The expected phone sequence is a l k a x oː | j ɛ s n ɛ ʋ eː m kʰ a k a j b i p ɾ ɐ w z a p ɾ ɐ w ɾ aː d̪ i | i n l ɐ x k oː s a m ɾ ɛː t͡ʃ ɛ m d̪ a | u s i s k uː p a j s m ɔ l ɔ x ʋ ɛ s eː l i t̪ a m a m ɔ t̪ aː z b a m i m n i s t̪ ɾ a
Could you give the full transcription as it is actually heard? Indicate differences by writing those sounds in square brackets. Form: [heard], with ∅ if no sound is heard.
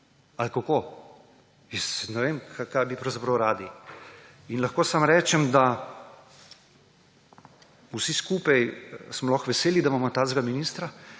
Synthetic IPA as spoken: a l k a [k] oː | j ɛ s n ɛ ʋ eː m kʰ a k a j b i p ɾ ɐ w z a p ɾ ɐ w ɾ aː d̪ i | i n l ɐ x k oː s a m ɾ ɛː t͡ʃ ɛ m d̪ a | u s i s k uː p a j s m ɔ l ɔ x ʋ ɛ s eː l i [d̪] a m a m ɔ t̪ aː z [ɡ] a m i [∅] n i s t̪ ɾ a